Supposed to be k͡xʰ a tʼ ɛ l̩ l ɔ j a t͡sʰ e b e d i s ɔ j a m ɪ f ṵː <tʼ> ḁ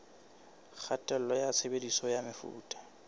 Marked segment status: correct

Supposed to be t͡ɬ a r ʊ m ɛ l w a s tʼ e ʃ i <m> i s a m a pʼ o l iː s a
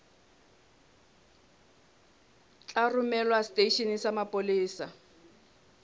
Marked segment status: incorrect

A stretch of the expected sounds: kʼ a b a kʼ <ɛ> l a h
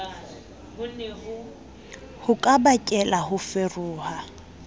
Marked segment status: correct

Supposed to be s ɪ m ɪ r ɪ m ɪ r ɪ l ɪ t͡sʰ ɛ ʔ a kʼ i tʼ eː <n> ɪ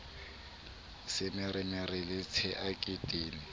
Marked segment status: correct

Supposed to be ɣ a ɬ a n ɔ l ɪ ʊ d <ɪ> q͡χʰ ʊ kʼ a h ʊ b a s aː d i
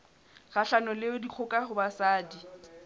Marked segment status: incorrect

